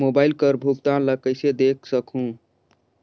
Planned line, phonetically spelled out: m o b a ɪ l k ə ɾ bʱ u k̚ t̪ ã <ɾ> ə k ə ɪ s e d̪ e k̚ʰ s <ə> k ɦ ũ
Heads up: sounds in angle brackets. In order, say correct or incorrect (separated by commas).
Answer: incorrect, correct